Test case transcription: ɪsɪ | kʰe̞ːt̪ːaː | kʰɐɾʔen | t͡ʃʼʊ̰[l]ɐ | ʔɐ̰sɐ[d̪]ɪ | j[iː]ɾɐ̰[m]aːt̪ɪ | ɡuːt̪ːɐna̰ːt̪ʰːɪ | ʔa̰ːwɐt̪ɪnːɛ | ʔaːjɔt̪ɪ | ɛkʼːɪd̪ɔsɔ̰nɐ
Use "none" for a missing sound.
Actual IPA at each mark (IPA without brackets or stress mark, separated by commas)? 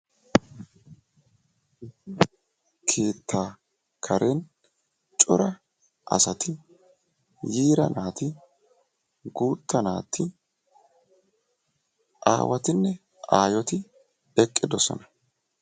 ɾ, t̪, iː, n